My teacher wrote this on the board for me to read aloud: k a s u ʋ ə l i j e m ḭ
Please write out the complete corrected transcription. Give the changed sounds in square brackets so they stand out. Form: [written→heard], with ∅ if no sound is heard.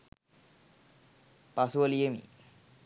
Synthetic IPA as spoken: [k→p] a s u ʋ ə l i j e m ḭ